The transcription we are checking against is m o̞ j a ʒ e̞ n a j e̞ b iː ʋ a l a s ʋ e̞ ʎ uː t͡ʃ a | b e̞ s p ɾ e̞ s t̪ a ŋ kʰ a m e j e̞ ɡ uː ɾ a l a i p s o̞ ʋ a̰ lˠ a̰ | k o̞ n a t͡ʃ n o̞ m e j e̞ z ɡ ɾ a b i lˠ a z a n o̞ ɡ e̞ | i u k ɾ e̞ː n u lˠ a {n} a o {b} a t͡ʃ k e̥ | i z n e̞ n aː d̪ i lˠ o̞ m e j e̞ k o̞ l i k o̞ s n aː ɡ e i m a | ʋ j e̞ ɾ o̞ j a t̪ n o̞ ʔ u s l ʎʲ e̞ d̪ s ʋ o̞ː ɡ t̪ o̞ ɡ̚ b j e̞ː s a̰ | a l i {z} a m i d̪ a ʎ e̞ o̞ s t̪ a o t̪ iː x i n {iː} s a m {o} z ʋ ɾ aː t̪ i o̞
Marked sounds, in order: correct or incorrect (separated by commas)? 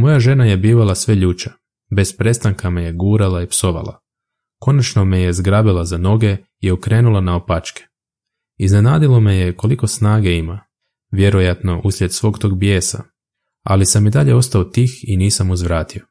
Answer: correct, incorrect, incorrect, correct, incorrect